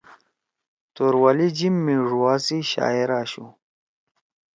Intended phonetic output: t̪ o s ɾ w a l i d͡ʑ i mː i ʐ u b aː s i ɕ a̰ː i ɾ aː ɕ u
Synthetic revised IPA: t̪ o ɾ w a l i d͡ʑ i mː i ʐ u w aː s i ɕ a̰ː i ɾ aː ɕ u

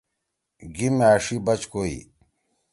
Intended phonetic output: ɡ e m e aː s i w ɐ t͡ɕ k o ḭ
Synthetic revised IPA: ɡ i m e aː ʂ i b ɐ t͡ɕ k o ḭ

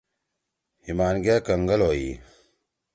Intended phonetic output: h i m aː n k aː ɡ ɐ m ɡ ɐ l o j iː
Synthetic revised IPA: h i m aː n ɡ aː k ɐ ŋ ɡ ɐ l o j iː

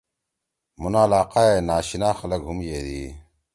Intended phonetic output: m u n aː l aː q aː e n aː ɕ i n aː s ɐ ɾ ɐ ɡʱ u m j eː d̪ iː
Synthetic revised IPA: m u n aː l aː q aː e n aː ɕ i n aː x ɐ l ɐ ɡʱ u m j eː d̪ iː

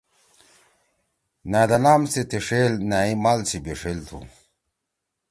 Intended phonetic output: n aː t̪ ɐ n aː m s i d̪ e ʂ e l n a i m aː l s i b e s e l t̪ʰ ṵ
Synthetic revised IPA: n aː d̪ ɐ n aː m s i t̪ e ʂ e l n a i m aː l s i b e ʂ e l t̪ʰ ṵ

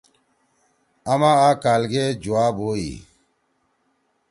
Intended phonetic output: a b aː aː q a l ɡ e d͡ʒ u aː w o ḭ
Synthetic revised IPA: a m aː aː k a l ɡ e d͡ʒ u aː b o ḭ

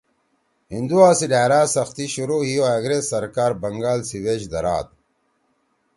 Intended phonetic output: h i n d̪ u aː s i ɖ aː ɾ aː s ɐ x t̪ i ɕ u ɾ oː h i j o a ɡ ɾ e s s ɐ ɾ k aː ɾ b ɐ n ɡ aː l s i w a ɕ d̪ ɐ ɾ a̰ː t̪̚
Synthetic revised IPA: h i n d̪ u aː s i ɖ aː ɾ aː s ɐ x t̪ i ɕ u ɾ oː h i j o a ɡ ɾ e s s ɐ ɾ k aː ɾ b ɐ ŋ ɡ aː l s i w e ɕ d̪ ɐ ɾ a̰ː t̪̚

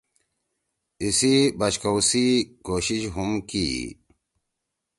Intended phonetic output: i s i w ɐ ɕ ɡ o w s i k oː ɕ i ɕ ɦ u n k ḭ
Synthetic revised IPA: i s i b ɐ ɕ k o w s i k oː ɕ i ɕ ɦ u m k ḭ

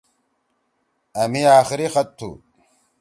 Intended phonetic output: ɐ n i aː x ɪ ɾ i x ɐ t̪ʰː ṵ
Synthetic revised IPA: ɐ m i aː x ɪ ɾ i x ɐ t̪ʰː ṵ

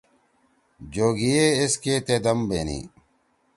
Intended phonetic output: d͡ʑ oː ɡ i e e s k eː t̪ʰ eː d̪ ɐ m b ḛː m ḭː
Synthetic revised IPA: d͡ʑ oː ɡ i e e s k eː t̪ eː d̪ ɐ m b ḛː n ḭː

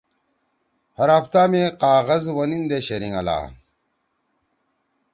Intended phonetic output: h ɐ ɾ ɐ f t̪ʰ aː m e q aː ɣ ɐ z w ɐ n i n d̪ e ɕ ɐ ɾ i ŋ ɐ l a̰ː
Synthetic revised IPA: h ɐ ɾ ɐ f t̪ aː m e q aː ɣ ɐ z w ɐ n i n d̪ e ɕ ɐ ɾ i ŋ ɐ l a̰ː

